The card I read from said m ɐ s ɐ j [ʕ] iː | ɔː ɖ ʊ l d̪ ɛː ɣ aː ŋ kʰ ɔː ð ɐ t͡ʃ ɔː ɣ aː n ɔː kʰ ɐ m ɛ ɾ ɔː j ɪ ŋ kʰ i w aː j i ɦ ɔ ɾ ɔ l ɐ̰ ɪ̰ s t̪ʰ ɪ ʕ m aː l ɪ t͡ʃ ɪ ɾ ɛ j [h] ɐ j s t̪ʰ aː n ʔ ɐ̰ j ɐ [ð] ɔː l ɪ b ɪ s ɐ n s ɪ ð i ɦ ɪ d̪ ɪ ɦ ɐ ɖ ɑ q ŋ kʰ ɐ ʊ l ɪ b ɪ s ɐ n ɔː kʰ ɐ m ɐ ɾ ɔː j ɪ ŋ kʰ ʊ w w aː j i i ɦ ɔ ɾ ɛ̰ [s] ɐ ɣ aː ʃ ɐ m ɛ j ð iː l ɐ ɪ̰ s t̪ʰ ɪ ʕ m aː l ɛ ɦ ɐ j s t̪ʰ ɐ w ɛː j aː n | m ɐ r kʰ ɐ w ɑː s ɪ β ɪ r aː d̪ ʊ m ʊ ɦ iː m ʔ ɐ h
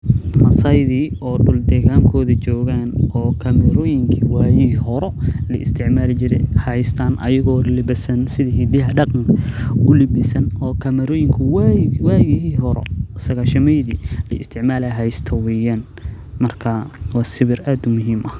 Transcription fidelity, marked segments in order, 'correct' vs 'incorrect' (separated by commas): incorrect, correct, incorrect, correct